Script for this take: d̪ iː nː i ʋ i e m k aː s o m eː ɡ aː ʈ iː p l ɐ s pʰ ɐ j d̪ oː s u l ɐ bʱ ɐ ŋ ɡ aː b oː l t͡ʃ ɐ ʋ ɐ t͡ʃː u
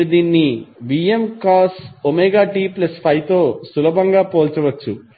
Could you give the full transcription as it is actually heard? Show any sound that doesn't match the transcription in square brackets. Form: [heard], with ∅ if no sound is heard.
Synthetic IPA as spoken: d̪ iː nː i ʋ i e m k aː s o m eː ɡ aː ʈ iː p l ɐ s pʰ ɐ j [t̪] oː s u l ɐ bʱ ɐ ŋ ɡ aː [p] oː l t͡ʃ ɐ ʋ ɐ t͡ʃː u